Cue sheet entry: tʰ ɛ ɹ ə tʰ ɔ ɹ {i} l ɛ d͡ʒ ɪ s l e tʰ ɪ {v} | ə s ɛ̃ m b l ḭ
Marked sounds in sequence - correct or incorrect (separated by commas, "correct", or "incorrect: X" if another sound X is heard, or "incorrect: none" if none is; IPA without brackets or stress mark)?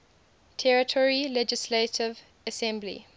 correct, correct